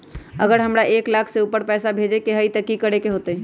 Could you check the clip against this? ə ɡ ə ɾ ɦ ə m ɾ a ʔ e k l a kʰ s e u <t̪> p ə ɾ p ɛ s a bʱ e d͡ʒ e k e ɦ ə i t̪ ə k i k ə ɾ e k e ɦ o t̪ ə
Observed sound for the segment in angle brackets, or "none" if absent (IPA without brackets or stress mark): none